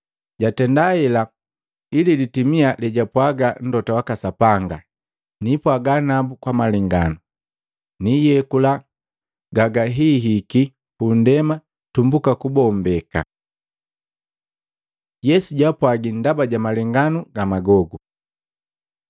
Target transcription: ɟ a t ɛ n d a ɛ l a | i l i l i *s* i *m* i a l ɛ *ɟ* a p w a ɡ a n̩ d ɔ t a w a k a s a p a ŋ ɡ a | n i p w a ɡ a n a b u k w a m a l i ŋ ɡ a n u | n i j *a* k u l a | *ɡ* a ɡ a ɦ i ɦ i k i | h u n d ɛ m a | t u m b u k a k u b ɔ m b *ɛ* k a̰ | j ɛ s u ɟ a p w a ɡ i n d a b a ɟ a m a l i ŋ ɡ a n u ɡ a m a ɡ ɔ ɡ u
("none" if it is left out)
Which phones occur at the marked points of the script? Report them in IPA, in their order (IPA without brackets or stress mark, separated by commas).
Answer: t, m, ɟ, ɛ, ɡ, ɛ